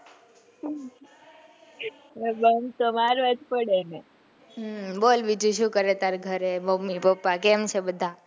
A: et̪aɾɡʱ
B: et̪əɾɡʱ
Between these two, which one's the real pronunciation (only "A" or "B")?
A